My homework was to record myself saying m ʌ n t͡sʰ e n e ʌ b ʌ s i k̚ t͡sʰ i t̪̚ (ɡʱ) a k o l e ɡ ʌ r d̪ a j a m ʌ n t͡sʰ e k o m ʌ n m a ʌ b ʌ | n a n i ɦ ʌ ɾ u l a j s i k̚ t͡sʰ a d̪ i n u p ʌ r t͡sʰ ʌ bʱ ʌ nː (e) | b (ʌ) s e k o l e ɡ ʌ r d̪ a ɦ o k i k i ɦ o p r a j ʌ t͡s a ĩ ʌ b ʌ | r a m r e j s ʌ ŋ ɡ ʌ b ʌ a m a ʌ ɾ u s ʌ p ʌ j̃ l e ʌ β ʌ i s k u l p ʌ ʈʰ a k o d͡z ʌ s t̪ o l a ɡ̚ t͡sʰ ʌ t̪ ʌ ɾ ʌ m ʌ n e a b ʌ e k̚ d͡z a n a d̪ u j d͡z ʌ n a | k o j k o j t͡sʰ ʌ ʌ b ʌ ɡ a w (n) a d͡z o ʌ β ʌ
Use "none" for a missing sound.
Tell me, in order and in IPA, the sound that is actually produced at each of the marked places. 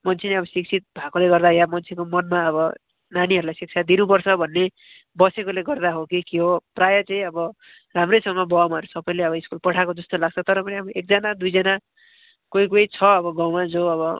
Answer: bʱ, e, ʌ, m

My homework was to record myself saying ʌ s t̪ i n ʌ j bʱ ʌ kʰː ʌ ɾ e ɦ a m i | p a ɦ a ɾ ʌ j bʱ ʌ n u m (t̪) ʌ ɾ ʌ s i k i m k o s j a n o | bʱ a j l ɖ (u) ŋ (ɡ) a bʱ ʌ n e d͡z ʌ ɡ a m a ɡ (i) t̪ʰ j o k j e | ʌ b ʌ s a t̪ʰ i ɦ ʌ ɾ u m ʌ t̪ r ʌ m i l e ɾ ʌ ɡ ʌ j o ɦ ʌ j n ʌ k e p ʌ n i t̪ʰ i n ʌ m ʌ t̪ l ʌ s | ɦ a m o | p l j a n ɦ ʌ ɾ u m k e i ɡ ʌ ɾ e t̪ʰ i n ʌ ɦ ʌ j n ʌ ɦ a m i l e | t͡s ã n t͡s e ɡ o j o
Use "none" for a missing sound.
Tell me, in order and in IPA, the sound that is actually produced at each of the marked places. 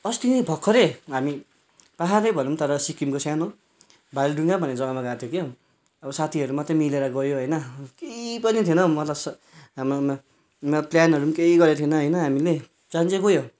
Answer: t̪, u, ɡ, a

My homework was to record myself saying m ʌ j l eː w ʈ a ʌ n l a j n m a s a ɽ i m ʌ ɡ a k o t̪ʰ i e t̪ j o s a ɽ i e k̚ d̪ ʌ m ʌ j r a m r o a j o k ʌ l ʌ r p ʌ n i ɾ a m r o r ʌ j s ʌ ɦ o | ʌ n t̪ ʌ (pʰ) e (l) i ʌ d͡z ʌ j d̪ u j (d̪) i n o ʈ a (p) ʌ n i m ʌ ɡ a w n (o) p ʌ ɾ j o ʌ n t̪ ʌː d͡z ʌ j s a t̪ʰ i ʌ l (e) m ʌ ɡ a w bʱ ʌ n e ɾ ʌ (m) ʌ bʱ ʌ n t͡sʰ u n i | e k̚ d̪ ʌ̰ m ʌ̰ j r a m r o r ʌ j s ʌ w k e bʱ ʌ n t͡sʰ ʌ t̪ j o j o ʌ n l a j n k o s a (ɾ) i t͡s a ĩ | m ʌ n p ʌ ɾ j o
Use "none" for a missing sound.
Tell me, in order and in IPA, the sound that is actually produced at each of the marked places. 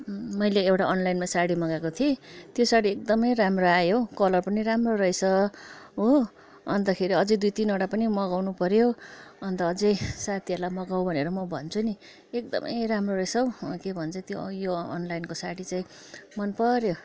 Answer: kʰ, ɾ, t̪, p, u, a, m, ɽ

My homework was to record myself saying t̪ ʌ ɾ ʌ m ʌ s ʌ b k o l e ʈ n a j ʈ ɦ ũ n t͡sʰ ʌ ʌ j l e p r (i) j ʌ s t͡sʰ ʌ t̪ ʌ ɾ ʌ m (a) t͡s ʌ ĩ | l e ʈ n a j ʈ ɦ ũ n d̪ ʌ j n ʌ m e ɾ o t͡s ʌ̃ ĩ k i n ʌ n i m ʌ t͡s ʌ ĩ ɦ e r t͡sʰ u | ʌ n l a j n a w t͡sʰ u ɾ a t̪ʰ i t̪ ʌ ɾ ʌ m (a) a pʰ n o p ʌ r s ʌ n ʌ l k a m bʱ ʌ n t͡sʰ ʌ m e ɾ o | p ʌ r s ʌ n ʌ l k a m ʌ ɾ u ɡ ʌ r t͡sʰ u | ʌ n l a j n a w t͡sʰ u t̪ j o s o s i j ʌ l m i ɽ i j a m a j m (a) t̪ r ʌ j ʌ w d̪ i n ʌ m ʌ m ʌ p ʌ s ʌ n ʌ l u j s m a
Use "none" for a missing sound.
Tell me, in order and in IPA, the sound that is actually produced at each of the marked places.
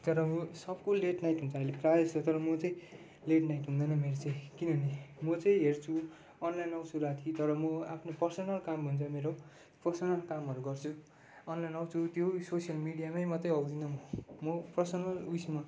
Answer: a, ʌ, ʌ, ʌ

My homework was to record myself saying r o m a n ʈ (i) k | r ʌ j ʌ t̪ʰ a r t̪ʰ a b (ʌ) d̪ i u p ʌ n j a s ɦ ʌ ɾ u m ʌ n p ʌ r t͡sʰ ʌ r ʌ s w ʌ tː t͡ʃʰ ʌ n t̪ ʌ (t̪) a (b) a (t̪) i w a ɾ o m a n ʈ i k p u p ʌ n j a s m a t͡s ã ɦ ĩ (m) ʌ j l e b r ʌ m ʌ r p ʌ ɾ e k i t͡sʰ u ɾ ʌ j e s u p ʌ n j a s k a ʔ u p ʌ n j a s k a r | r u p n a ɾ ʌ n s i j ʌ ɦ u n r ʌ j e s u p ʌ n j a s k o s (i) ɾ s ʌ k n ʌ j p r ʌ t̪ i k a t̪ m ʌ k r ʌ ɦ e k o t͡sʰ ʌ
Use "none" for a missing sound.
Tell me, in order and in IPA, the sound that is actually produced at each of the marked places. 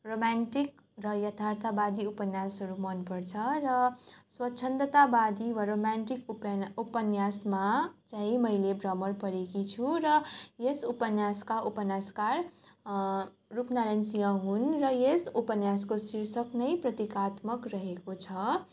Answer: i, a, t̪, b, d̪, m, i

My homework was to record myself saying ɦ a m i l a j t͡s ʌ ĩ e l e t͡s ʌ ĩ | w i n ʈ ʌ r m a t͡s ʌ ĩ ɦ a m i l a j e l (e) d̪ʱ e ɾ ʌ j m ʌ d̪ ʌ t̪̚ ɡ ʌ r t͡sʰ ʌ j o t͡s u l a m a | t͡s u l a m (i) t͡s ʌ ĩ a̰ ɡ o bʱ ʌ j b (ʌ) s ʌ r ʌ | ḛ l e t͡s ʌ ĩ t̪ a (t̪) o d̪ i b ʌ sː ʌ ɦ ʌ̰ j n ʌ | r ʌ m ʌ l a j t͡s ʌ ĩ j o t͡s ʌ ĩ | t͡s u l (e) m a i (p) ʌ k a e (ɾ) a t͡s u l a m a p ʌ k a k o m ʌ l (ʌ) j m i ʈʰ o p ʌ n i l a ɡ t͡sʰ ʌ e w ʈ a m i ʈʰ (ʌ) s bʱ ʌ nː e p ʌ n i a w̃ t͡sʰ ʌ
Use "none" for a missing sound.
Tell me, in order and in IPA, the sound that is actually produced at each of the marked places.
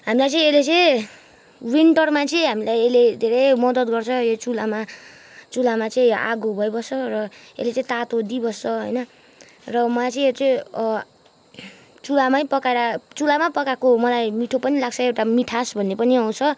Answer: e, a, ʌ, t̪, a, p, ɾ, a, a

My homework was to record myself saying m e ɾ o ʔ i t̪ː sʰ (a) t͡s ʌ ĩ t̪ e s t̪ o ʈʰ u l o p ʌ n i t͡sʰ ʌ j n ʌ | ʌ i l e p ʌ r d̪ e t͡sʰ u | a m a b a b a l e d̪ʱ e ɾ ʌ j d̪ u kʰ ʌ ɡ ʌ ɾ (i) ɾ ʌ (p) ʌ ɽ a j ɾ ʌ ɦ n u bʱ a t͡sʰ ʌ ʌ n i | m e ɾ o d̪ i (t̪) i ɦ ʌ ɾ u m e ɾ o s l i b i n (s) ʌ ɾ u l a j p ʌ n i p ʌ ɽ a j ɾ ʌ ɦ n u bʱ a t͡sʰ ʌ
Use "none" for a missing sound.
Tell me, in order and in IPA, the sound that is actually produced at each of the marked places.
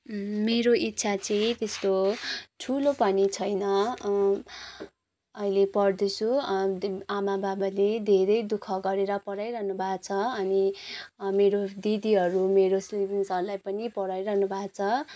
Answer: a, e, p, d̪, s

